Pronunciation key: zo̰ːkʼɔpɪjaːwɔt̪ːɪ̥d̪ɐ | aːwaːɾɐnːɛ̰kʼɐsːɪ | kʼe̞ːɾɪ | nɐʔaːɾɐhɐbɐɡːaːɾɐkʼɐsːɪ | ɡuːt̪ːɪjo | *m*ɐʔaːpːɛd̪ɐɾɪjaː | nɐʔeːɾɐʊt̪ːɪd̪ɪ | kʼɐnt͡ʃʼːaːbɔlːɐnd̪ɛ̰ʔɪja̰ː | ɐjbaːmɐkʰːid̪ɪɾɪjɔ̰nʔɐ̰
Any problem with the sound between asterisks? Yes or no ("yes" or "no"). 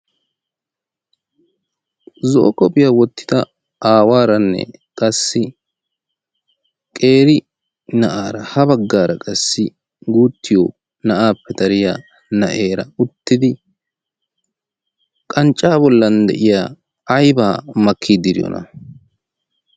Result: yes